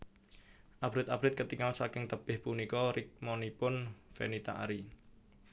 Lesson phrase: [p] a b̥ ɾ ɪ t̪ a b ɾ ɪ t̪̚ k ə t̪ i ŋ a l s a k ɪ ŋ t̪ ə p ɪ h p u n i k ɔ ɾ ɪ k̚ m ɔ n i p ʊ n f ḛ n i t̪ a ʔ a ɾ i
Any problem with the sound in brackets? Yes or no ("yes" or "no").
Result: yes